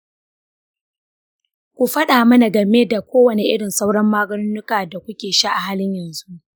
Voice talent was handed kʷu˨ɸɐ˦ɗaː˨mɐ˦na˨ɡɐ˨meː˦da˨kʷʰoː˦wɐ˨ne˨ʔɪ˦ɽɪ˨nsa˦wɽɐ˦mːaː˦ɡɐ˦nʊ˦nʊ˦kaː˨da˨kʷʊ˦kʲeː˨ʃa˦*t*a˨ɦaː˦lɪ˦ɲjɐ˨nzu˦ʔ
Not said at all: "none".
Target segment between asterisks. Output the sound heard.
ʔ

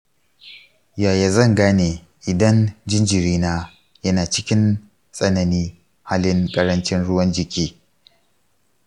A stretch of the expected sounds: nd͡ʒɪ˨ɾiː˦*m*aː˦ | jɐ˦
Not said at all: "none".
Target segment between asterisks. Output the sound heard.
n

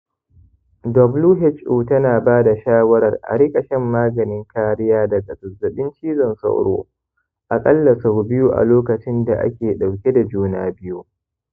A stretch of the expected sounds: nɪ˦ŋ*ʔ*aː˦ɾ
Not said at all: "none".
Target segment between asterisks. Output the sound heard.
k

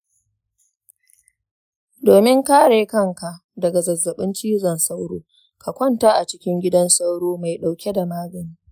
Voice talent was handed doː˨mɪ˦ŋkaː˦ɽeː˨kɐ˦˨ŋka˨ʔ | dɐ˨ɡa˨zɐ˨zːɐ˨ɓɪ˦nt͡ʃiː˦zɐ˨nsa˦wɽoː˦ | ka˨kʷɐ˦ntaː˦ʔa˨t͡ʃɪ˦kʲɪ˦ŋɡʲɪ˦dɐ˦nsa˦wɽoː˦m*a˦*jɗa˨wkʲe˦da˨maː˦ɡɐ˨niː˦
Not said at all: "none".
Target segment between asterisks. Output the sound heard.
a˨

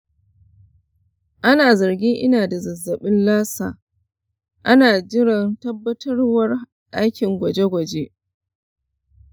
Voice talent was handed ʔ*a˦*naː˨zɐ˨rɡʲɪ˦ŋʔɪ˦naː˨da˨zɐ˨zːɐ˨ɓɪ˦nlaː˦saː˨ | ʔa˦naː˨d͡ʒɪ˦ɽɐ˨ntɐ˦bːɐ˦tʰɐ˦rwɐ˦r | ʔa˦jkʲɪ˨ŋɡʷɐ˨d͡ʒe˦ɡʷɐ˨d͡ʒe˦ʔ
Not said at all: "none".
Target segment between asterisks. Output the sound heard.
a˦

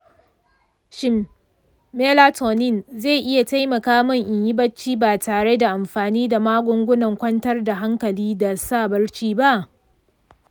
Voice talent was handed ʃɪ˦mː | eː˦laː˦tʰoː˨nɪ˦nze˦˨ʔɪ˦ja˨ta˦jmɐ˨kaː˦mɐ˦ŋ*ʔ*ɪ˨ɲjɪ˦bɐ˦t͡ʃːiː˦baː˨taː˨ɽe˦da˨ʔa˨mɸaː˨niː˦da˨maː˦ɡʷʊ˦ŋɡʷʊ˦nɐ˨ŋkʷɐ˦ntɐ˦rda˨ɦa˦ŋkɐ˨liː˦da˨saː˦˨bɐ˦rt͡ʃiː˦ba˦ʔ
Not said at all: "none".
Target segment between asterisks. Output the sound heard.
ʔ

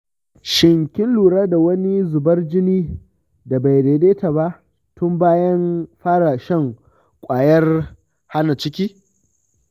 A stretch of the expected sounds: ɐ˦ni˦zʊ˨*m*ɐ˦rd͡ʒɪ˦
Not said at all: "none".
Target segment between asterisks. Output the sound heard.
b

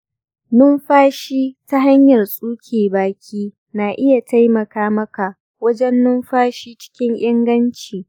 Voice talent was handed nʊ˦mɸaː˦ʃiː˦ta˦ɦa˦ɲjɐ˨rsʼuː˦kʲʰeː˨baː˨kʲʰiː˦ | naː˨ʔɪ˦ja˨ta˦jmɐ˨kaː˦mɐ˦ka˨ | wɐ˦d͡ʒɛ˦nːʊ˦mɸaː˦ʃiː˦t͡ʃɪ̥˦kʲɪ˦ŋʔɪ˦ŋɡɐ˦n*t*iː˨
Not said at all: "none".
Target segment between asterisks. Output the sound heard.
t͡ʃ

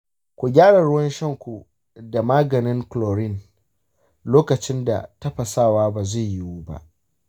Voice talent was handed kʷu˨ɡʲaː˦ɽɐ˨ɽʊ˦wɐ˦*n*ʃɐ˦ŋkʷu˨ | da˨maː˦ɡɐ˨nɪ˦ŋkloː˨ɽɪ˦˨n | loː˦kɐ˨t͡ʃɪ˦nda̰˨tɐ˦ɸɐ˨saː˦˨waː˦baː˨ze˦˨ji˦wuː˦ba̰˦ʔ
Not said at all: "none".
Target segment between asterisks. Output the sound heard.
n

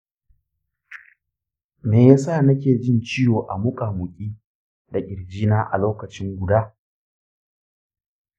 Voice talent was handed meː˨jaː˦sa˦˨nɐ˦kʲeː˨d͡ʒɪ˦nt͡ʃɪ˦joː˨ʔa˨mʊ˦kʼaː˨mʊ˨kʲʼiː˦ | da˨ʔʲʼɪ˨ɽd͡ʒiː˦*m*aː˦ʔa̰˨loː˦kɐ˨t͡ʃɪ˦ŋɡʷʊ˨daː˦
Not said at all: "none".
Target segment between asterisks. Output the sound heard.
n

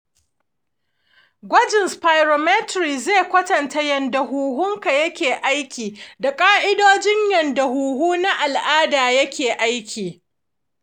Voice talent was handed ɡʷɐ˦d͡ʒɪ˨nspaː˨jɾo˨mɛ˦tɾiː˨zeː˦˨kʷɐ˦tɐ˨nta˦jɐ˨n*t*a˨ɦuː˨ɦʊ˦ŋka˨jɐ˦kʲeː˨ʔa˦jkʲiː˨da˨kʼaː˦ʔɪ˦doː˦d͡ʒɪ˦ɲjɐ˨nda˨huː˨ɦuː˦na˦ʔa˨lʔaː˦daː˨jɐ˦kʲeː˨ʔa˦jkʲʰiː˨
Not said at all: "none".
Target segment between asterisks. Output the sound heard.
d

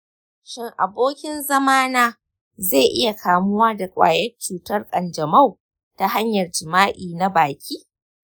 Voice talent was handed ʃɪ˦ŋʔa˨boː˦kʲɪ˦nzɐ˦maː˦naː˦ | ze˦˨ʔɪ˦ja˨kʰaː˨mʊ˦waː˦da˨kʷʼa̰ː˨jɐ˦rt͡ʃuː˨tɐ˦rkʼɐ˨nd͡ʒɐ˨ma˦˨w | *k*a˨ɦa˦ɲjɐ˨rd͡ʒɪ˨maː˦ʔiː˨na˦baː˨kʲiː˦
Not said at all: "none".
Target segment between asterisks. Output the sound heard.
t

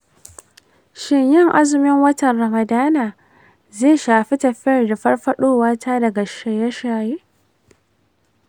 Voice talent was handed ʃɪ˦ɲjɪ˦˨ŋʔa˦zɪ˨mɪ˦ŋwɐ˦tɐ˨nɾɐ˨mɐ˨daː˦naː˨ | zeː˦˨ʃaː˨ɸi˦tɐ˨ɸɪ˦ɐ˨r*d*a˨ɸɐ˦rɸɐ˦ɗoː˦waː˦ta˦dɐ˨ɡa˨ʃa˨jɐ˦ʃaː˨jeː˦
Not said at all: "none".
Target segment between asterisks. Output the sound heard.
d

